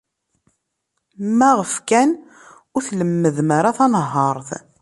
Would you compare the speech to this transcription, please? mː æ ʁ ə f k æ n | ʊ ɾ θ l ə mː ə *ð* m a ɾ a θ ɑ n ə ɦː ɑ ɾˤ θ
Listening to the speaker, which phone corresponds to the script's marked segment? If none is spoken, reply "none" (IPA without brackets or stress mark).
ð